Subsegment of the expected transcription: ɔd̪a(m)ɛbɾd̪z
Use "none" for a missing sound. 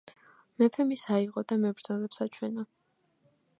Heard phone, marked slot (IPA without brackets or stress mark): m